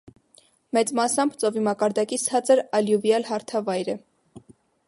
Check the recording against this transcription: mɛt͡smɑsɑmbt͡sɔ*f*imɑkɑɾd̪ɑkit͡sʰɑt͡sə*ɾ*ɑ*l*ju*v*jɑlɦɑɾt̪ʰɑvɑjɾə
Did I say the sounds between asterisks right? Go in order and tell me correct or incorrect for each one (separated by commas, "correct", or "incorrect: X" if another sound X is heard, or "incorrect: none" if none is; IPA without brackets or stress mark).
incorrect: v, correct, correct, correct